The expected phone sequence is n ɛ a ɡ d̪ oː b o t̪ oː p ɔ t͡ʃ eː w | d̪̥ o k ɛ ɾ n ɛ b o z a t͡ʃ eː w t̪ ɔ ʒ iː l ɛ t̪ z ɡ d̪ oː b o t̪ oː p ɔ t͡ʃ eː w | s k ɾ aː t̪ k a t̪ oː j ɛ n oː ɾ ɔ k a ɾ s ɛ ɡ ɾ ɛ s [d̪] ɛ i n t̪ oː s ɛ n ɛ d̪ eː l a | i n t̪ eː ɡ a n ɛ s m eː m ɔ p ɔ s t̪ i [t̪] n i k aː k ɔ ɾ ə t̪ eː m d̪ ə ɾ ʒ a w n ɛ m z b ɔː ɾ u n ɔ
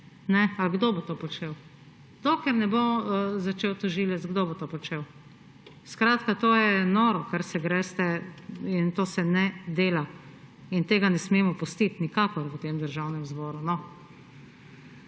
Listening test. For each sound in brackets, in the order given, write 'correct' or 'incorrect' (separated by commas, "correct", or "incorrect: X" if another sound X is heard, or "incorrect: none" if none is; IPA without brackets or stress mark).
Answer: incorrect: t̪, correct